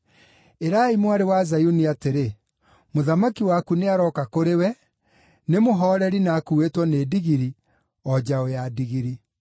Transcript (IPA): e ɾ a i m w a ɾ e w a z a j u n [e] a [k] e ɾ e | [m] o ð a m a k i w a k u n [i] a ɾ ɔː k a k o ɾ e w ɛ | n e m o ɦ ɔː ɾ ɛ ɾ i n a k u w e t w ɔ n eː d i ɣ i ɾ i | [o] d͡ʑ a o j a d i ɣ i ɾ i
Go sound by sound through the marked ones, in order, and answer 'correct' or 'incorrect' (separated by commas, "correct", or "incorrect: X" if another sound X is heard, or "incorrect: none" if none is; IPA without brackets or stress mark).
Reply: incorrect: i, incorrect: t, correct, incorrect: e, incorrect: ɔ